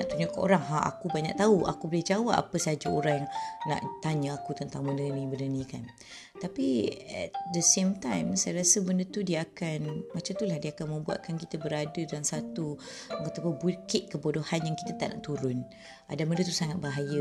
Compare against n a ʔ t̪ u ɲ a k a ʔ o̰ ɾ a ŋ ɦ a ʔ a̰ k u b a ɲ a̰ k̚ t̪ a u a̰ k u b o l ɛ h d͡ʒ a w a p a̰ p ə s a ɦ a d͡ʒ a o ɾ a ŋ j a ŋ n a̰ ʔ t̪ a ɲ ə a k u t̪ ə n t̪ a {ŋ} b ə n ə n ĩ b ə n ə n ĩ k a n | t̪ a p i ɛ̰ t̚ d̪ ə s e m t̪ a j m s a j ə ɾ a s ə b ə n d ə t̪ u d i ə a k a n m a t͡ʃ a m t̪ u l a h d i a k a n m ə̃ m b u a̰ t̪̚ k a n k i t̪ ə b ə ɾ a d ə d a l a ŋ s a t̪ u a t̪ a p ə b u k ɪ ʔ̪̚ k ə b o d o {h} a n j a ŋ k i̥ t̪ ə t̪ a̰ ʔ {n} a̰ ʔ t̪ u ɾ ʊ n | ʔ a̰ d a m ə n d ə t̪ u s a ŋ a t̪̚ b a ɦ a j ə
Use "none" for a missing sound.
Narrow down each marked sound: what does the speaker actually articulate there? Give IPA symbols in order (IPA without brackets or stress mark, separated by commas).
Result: ŋ, h, n